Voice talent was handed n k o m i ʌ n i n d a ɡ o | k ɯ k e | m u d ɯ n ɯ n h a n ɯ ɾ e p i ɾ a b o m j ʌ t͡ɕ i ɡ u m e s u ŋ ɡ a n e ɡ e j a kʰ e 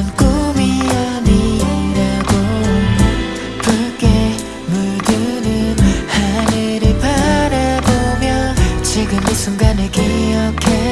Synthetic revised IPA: n k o m i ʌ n i n d a ɡ o | k ɯ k e | m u d ɯ n ɯ n h a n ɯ ɾ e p a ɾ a b o m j ʌ t͡ɕ i ɡ ɯ m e s u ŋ ɡ a n e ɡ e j ʌ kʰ e